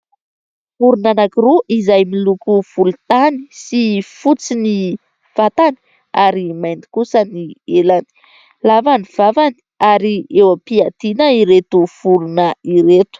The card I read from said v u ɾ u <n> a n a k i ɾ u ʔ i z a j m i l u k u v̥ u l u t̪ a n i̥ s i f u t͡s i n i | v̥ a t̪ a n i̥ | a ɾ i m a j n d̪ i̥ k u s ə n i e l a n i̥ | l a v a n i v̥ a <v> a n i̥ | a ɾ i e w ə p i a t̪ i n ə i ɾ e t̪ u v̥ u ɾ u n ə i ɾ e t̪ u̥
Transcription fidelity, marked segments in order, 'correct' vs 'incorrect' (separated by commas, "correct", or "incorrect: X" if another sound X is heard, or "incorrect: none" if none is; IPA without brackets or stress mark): correct, correct